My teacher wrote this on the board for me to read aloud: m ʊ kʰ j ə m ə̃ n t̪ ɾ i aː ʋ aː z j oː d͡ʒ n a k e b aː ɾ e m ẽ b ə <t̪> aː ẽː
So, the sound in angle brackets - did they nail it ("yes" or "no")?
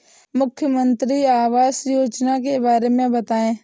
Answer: yes